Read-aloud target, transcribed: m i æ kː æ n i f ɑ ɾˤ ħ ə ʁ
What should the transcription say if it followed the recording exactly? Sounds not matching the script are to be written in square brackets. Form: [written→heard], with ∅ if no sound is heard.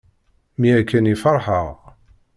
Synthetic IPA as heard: m i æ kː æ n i f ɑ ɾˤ ħ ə ʁ